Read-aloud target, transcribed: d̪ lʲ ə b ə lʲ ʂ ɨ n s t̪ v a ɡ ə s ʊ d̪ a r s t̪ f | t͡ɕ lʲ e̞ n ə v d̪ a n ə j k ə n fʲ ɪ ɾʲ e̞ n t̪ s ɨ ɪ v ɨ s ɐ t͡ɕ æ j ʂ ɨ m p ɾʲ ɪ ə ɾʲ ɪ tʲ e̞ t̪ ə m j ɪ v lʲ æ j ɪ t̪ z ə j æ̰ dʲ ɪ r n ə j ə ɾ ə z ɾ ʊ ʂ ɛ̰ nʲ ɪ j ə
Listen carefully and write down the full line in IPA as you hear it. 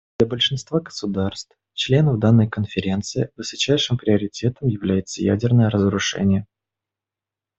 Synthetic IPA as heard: d̪ lʲ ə b ə lʲ ʂ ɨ n s t̪ v a ɡ ə s ʊ d̪ a r s t̪ f | t͡ɕ lʲ e̞ n ə v d̪ a nː ə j k ə n fʲ ɪ ɾʲ e̞ n t̪ s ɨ ɪ v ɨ s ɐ t͡ɕ æ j ʂ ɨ m p ɾʲ ɪ ə ɾʲ ɪ tʲ e̞ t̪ ə m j ɪ v lʲ æ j ɪ t̪ s ə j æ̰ dʲ ɪ r n ə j ə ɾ ə z ɾ ʊ ʂ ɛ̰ nʲ ɪ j ə

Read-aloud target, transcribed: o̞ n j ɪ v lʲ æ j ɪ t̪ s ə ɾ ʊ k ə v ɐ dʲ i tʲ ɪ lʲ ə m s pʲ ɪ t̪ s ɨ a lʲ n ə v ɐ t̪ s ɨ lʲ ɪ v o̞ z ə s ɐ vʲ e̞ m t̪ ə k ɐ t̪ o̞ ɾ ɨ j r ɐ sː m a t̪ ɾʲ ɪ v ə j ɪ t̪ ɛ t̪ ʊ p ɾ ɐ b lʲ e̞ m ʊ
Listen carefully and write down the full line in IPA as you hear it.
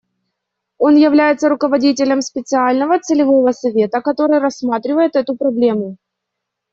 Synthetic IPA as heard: o̞ n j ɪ v lʲ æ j ɪ t̪ s ə ɾ ʊ k ə v ɐ dʲ i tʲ ɪ lʲ ə m s pʲ ɪ t̪ s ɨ a lʲ n ə v ə t̪ s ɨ lʲ ɪ v o̞ v ə s ɐ vʲ e̞ t̪ ə k ɐ t̪ o̞ ɾ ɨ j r ɐ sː m a t̪ ɾʲ ɪ v ə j ɪ t̪ ɛ t̪ ʊ p ɾ ɐ b lʲ e̞ m ʊ

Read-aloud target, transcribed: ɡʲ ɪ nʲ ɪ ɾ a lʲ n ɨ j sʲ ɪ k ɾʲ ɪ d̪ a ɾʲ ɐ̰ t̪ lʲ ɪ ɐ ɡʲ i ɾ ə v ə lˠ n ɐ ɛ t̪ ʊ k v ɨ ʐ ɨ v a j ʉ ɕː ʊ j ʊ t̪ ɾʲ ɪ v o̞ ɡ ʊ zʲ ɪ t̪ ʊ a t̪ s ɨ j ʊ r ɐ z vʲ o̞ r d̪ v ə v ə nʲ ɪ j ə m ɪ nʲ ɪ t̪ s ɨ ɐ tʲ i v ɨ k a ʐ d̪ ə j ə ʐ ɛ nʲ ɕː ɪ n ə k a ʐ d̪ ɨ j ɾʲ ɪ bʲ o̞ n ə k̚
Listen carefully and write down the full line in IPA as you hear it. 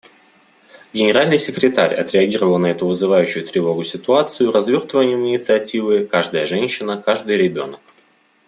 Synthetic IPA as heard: ɡʲ ɪ nʲ ɪ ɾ a lʲ n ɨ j sʲ ɪ k ɾʲ ɪ t̪ a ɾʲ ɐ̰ t̪ ɾʲ ɪ ɐ ɡʲ i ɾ ə v ə lˠ n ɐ ɛ t̪ ʊ v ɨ z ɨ v a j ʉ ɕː ʊ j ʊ t̪ ɾʲ ɪ v o̞ ɡ ʊ sʲ ɪ t̪ ʊ a t̪ s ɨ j ʊ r ɐ z vʲ o̞ r t̪ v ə v ə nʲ ɪ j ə m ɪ nʲ ɪ t̪ s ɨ ɐ tʲ i v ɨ k a ʐ d̪ ə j ə ʐ ɛ nʲ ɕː ɪ n ə k a ʐ d̪ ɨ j ɾʲ ɪ bʲ o̞ n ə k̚

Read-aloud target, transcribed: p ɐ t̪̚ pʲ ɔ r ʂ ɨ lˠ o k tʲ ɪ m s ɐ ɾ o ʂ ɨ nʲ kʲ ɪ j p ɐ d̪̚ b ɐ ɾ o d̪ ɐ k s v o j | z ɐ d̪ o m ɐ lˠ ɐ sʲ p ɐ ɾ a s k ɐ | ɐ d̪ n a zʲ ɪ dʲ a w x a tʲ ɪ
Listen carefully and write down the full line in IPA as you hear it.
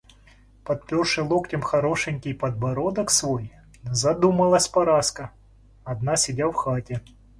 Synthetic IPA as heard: p ɐ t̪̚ pʲ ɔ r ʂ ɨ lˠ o k tʲ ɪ m x ɐ ɾ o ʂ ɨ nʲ kʲ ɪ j p ɐ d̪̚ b ɐ ɾ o d̪ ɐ k s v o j | z ɐ d̪ u m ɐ lˠ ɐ sʲ p ɐ ɾ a s k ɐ | ɐ d̪ n a sʲ ɪ dʲ a w x a tʲ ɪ

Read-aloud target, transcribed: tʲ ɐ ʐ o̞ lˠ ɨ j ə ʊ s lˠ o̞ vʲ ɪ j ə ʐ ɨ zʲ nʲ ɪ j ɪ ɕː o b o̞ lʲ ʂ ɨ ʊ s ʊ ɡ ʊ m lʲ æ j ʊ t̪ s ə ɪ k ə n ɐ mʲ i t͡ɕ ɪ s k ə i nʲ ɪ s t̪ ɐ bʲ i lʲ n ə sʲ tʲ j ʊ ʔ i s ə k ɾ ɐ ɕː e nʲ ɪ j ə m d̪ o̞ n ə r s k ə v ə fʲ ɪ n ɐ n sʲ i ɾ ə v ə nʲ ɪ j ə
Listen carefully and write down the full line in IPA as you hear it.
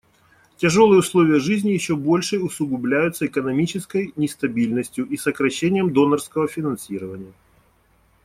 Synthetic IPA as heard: tʲ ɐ ʐ o̞ lˠ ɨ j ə ʊ s lˠ o̞ vʲ ɪ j ə ʐ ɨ zʲ nʲ ɪ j ɪ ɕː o b o̞ lʲ ʂ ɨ ʊ s ʊ ɡ ʊ b lʲ æ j ʊ t̪ s ə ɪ k ə n ɐ mʲ i t͡ɕ ɪ s k ə j nʲ ɪ s t̪ ɐ bʲ i lʲ n ə sʲ tʲ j ʊ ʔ i s ə k ɾ ɐ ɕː e nʲ ɪ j ə m d̪ o̞ n ə r s k ə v ə fʲ ɪ n ɐ n sʲ i ɾ ə v ə nʲ ɪ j ə

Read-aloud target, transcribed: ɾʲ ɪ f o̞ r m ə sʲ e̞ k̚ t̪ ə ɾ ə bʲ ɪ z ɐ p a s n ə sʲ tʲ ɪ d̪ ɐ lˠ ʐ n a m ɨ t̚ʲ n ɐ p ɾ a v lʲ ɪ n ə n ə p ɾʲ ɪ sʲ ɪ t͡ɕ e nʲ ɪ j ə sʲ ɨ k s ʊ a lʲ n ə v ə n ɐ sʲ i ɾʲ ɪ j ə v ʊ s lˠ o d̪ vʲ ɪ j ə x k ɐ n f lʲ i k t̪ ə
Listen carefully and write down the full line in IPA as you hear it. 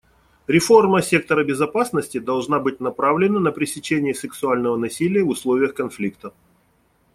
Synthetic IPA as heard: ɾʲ ɪ f o̞ r m ə sʲ e̞ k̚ t̪ ə ɾ ə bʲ ɪ z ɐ p a s n ə sʲ tʲ ɪ d̪ ɐ lˠ ʐ n a b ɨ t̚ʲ n ɐ p ɾ a v lʲ ɪ n ə n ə p ɾʲ ɪ sʲ ɪ t͡ɕ e nʲ ɪ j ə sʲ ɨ k s ʊ a lʲ n ə v ə n ɐ sʲ i lʲ ɪ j ə v ʊ s lˠ o vʲ ɪ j ə x k ɐ n f lʲ i k t̪ ə

